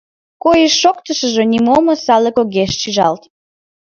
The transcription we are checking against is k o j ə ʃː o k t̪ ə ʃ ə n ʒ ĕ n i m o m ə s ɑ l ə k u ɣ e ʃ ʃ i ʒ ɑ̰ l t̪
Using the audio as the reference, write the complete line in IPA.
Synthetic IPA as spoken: k o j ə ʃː o k t̪ ə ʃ ə ʒ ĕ n i m o m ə s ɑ l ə k o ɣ e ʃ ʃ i ʒ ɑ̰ l t̪

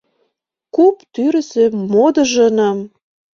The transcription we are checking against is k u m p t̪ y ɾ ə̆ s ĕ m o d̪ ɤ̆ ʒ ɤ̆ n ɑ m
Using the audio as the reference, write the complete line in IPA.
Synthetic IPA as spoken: k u p t̪ y ɾ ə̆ s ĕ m o d̪ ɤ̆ ʒ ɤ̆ n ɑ m

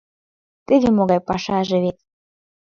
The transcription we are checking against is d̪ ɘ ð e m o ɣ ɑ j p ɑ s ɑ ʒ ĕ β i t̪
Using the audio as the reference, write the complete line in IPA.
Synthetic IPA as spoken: t̪ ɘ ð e m o ɣ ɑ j p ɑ ʃ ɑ ʒ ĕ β e t̪

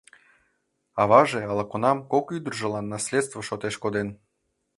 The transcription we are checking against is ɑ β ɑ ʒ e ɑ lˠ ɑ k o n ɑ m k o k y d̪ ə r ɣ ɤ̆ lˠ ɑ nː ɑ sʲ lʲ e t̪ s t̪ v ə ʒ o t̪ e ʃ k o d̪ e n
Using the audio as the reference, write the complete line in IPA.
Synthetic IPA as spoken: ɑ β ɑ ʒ e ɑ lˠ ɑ k o n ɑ m k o k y d̪ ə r ʒ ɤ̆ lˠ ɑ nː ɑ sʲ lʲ e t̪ s t̪ v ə ʃ o t̪ e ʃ k o d̪ e n

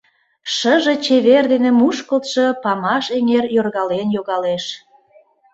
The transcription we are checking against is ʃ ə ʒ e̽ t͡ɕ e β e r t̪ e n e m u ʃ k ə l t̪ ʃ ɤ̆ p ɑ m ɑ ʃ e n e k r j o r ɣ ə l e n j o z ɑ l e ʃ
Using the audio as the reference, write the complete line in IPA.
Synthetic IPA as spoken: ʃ ə ʒ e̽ t͡ɕ e β e r d̪ e n e m u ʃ k ə l t̪ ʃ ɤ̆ p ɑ m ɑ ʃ e ŋ e r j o r ɣ ɑ l e n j o ɣ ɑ l e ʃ

